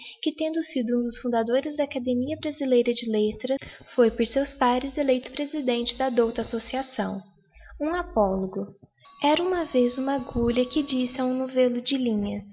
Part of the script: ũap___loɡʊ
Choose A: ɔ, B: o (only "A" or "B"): A